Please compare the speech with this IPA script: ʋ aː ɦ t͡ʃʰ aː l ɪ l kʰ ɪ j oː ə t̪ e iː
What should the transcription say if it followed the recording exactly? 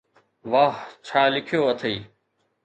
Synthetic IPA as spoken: ʋ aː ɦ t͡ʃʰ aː l ɪ kʰ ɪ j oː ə t̪ʰ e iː